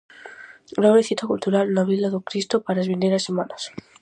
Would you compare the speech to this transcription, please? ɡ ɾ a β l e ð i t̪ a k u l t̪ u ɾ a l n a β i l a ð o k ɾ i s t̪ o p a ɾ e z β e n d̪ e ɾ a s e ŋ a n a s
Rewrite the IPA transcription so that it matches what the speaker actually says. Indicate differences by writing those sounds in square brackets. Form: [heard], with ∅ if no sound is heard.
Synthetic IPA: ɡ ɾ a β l e [θ] i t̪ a k u l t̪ u ɾ a l n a β i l a ð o k ɾ i s t̪ o p a ɾ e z β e n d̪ e ɾ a s e [m] a n a s